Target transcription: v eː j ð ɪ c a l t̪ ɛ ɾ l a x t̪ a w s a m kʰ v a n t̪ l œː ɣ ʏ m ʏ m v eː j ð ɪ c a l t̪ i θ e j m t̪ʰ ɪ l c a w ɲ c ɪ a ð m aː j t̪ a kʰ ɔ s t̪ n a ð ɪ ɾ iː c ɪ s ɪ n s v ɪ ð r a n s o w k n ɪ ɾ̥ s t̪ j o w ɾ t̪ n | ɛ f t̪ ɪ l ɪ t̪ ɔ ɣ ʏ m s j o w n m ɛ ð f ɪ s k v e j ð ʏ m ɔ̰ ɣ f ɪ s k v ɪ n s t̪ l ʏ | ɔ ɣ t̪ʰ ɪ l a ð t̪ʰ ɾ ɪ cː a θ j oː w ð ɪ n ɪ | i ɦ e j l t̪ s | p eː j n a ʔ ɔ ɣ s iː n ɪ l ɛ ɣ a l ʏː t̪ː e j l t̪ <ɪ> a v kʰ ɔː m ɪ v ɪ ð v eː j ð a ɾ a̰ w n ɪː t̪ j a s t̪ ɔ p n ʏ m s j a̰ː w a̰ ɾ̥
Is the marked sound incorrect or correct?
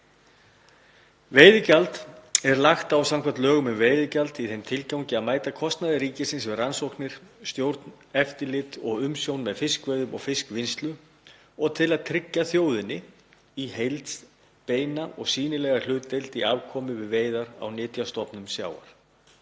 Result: incorrect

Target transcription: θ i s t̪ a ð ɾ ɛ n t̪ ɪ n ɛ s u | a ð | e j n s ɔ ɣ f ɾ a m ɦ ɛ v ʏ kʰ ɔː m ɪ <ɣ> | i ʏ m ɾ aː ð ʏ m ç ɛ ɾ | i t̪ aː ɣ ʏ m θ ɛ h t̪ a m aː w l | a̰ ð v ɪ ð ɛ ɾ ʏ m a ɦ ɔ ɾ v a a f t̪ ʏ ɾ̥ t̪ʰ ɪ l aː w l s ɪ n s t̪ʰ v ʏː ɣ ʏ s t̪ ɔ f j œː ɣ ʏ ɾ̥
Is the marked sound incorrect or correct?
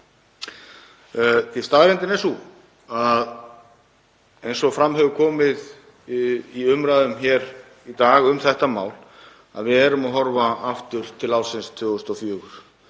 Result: incorrect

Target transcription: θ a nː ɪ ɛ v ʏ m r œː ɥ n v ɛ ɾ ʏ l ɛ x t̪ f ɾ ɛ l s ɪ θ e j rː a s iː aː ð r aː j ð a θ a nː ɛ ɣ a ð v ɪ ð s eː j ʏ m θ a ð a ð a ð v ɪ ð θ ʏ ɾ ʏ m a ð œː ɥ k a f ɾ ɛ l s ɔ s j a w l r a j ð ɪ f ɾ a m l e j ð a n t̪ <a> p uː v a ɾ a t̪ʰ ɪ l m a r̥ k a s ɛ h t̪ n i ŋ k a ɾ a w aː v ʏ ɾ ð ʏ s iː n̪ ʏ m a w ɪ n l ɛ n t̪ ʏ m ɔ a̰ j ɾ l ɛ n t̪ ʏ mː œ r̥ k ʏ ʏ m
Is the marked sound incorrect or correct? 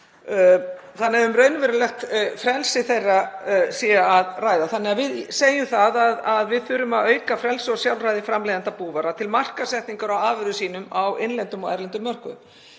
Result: correct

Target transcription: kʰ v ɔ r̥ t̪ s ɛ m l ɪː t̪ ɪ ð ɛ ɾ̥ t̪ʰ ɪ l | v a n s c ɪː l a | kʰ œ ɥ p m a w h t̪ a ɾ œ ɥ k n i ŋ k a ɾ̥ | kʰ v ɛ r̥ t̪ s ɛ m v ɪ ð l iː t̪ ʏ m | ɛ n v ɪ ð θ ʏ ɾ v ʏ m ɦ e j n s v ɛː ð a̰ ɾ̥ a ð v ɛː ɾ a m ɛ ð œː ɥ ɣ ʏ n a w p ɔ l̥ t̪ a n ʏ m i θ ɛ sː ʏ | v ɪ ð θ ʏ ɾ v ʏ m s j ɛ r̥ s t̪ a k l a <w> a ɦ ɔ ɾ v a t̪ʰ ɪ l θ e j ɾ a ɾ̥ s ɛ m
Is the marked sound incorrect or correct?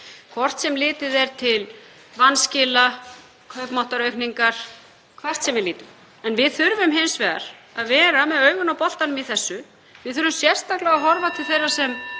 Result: incorrect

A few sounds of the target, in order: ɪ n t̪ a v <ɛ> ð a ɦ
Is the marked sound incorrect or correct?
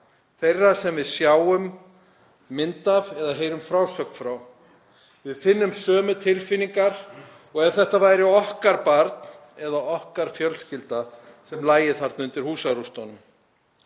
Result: correct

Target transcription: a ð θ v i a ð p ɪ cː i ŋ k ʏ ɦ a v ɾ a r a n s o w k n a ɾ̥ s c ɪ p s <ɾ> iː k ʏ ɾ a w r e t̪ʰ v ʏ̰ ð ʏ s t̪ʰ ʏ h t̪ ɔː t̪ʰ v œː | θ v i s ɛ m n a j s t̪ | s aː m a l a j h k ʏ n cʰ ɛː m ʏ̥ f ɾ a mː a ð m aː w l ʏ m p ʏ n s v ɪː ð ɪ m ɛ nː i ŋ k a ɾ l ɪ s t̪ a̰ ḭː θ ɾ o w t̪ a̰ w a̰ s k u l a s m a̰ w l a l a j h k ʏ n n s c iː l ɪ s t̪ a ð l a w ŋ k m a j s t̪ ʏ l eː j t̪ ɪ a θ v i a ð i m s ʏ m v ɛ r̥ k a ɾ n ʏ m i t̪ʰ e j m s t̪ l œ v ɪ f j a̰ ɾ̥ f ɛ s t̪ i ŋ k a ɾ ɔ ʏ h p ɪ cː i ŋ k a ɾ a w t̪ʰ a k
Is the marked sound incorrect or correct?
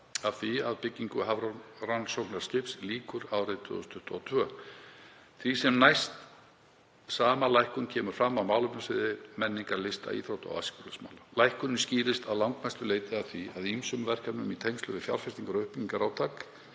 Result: incorrect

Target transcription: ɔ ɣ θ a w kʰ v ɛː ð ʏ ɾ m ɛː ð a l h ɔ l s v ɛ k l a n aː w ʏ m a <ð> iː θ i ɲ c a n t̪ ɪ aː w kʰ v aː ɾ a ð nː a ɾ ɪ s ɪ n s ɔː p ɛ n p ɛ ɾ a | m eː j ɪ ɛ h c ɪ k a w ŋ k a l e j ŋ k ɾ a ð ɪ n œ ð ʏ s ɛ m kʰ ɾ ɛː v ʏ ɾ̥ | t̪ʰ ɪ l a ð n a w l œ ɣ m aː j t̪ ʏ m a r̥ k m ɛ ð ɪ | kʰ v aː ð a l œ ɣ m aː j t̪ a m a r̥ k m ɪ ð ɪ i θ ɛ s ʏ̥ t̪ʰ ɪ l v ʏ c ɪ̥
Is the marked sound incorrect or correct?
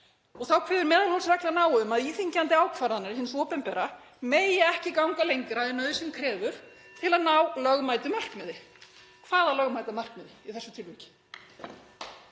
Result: correct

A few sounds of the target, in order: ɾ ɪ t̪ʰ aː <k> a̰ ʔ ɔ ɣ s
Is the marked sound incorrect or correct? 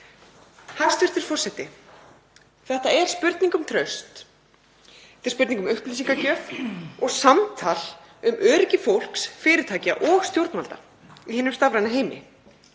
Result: incorrect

